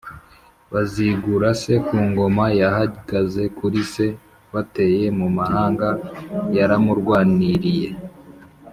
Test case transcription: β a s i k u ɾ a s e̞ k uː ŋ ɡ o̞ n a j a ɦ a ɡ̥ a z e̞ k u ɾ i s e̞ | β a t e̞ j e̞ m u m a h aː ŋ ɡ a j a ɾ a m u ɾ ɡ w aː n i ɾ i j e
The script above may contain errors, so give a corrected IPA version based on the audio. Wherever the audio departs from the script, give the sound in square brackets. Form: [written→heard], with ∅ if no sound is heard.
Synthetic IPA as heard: β a [s→z] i [k→ɡ] u ɾ a s e̞ k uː ŋ ɡ o̞ [n→m] a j a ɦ a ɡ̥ a z e̞ k u ɾ i s e̞ | β a t e̞ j e̞ m u m a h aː ŋ ɡ a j a ɾ a m u ɾ ɡ w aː n i ɾ i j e